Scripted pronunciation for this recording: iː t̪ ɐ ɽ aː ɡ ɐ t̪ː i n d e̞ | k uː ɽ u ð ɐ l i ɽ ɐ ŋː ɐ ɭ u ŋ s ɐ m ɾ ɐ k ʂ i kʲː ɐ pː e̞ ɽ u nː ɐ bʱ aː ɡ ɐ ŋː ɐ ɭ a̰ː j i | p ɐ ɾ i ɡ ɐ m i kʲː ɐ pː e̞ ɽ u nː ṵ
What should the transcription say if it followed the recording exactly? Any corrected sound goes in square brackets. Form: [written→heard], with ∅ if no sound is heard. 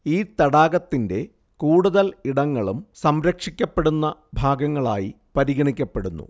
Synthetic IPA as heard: iː t̪ ɐ ɽ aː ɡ ɐ t̪ː i n d e̞ | k uː ɽ u ð ɐ l i ɽ ɐ ŋː ɐ ɭ u [ŋ→m] s ɐ m ɾ ɐ k ʂ i kʲː ɐ pː e̞ ɽ u nː ɐ bʱ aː ɡ ɐ ŋː ɐ ɭ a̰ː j i | p ɐ ɾ i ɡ ɐ [m→ɳ] i kʲː ɐ pː e̞ ɽ u nː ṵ